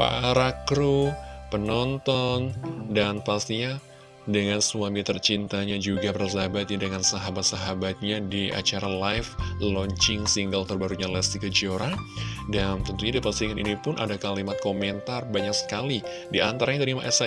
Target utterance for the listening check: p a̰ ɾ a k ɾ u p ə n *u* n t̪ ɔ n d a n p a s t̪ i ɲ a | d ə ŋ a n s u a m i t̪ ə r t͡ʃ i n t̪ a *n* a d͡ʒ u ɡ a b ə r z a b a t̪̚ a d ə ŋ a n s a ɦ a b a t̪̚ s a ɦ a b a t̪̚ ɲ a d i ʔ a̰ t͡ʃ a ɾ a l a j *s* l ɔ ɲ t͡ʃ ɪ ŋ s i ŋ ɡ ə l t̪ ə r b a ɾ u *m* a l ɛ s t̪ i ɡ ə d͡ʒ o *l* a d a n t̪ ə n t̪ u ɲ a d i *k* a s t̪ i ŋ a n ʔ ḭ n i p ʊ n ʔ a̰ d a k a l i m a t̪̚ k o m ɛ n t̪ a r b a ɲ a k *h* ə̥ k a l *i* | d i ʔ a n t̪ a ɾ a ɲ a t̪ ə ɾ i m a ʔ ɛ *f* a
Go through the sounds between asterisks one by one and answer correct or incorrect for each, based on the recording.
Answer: incorrect: ɔ, incorrect: ɲ, incorrect: f, incorrect: ɲ, incorrect: ɾ, incorrect: p, incorrect: s, correct, incorrect: s

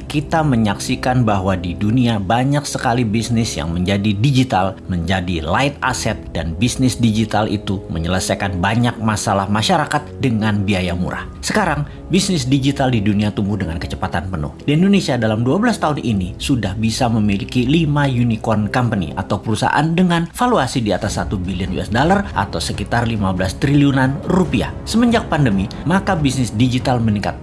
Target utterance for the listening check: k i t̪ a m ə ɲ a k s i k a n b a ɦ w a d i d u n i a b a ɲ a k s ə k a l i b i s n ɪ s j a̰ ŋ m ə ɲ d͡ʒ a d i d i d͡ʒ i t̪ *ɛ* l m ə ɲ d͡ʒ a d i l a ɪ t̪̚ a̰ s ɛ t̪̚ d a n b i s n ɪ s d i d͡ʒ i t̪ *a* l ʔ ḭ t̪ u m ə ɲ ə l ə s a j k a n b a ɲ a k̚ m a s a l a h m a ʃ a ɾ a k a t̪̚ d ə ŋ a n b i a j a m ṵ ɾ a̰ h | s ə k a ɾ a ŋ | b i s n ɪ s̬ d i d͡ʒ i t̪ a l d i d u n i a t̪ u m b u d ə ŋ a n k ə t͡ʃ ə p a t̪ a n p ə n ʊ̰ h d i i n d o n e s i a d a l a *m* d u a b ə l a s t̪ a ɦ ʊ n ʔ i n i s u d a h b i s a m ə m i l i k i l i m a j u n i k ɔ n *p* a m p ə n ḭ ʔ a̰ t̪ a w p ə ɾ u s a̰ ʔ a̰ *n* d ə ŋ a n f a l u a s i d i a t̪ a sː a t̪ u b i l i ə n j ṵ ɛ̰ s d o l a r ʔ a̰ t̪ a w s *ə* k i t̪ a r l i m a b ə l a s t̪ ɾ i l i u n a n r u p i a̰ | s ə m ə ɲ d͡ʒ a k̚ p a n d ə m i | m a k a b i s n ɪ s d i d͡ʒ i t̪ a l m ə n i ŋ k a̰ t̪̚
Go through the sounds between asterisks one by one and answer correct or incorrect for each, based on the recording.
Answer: incorrect: a, correct, correct, incorrect: k, correct, correct

